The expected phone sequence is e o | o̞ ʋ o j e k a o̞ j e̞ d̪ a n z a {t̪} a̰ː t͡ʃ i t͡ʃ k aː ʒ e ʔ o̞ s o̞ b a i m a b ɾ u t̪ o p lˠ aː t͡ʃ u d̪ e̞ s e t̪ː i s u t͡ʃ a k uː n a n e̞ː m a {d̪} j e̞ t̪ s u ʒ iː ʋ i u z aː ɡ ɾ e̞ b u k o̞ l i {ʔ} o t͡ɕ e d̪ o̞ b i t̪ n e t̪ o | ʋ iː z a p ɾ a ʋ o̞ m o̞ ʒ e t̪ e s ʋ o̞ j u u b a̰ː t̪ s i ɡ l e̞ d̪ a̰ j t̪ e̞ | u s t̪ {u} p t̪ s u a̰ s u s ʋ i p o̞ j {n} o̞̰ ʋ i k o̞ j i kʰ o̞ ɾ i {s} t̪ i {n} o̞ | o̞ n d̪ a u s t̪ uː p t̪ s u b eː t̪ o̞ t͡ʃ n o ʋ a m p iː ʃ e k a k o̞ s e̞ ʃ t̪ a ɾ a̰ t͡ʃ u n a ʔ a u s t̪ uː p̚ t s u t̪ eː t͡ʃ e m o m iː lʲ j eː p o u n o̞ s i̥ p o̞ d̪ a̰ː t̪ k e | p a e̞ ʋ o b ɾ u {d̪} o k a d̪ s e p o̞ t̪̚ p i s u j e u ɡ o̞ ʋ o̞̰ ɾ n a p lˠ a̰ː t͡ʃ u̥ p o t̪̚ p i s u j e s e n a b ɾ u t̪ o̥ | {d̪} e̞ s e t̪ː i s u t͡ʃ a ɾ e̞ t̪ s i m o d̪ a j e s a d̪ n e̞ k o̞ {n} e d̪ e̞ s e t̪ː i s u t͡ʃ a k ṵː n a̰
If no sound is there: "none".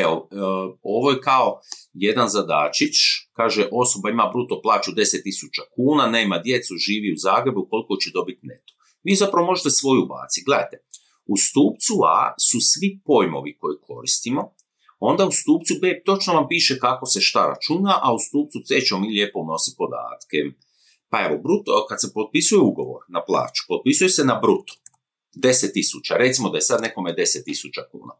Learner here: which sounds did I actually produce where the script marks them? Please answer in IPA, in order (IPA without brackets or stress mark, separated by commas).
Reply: d̪, d̪, k, uː, m, s, m, t̪, d̪, m